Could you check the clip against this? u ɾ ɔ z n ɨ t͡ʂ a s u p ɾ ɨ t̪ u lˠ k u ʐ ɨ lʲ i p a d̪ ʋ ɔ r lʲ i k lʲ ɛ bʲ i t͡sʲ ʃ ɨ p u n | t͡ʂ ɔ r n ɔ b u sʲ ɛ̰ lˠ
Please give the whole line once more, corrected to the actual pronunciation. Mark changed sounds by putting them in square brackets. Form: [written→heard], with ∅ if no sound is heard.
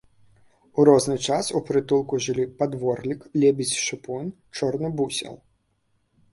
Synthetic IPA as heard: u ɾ ɔ z n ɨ t͡ʂ a s u p ɾ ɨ t̪ u lˠ k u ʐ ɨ lʲ i p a d̪ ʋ ɔ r lʲ i k lʲ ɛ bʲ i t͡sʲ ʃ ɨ p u n | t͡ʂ ɔ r n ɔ b u sʲ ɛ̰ lˠ